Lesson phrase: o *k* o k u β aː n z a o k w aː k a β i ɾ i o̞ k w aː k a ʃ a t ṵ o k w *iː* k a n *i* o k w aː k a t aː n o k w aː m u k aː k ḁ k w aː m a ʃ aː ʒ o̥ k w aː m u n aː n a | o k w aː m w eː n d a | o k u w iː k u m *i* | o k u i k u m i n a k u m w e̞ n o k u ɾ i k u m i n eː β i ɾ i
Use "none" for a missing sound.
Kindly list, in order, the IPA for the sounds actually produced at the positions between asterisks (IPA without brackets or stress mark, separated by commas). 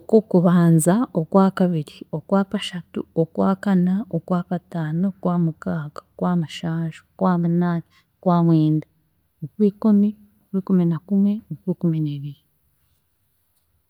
k, aː, a, i